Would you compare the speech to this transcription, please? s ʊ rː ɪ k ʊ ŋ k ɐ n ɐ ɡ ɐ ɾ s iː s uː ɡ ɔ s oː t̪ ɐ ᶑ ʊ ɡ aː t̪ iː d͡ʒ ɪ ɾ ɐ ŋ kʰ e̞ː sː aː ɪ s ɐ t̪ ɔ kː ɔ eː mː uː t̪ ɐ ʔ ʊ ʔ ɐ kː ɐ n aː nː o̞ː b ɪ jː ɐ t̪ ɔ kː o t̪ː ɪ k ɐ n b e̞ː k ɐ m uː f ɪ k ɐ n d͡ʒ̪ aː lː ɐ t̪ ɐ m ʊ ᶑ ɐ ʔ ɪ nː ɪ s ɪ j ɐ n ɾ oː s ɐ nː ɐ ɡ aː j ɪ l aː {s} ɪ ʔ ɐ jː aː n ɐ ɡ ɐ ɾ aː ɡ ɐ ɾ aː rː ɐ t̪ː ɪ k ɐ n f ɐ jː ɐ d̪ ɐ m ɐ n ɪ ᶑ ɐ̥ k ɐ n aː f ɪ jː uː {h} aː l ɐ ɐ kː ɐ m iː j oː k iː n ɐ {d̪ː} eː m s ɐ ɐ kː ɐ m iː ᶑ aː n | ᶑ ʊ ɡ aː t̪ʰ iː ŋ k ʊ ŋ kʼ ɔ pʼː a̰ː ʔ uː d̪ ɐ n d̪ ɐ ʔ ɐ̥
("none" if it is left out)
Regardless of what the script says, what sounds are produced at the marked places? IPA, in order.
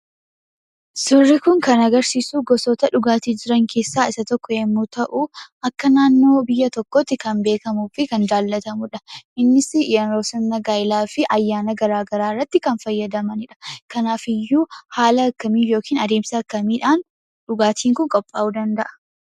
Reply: f, h, d̪

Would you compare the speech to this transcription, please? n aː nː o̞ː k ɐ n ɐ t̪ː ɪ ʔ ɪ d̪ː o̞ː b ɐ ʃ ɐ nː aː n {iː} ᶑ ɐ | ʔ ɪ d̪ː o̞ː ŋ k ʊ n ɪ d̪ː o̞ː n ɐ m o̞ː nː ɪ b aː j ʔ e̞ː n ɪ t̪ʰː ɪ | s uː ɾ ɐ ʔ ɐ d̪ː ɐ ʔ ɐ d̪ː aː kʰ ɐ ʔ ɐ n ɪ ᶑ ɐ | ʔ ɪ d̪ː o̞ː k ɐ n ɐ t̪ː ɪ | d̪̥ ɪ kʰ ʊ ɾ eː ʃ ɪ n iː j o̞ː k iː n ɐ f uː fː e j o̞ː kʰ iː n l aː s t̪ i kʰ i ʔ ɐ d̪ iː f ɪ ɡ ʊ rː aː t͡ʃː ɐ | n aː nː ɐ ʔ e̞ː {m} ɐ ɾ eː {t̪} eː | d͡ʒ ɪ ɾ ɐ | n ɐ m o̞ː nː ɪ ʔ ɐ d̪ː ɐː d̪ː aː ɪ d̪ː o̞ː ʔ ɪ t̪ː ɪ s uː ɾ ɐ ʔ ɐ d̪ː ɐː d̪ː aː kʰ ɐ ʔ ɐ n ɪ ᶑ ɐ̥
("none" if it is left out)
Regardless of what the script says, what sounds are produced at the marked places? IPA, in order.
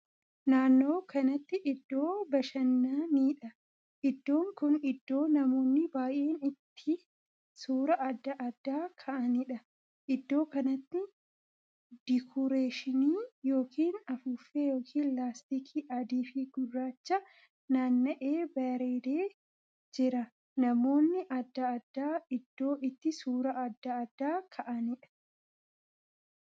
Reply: iː, b, d̪

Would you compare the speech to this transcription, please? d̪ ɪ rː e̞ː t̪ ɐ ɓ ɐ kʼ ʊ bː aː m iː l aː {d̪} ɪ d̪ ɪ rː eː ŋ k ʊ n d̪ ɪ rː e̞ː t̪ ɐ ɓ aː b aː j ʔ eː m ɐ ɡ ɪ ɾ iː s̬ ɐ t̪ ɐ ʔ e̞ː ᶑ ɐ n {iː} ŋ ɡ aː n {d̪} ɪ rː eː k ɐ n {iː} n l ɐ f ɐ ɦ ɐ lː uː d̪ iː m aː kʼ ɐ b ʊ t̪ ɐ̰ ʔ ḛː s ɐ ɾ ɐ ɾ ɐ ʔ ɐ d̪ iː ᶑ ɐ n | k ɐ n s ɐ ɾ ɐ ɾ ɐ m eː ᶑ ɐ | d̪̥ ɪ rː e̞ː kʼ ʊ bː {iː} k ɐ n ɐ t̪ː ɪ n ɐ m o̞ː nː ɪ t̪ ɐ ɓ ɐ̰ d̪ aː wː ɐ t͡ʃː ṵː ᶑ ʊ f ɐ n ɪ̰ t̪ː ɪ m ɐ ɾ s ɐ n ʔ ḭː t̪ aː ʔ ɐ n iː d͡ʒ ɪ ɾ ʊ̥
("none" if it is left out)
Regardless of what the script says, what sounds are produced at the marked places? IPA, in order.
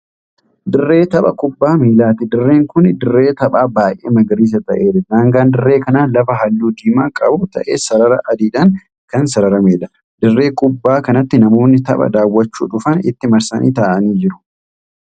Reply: t̪, aː, d̪, aː, aː

